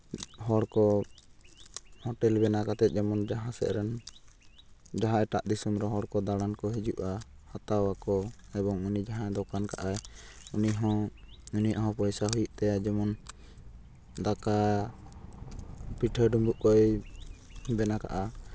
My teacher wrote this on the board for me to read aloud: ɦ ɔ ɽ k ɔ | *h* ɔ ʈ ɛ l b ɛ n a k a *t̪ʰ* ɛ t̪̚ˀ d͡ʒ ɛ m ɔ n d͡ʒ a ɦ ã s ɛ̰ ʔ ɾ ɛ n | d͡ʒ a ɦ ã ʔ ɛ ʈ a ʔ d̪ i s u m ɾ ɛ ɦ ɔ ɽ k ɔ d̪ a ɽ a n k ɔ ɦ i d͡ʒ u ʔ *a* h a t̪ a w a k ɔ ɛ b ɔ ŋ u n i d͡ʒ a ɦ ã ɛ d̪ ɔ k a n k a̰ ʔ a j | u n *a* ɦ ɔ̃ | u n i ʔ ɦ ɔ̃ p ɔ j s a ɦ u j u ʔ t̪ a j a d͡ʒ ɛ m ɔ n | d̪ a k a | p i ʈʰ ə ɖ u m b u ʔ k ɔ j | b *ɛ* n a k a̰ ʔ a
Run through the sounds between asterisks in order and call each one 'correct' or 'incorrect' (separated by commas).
correct, incorrect, correct, incorrect, correct